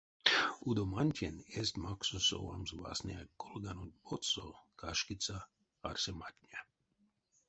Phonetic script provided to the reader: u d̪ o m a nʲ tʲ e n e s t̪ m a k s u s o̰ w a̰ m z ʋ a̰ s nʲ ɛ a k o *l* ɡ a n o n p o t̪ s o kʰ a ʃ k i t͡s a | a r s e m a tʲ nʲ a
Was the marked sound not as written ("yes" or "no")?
no